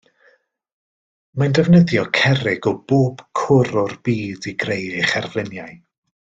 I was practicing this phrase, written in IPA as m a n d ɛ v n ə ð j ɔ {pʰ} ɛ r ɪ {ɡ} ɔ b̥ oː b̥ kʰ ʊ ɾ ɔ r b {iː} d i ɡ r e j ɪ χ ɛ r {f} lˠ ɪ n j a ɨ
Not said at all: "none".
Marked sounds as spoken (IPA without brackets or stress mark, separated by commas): kʰ, ɡ, iː, v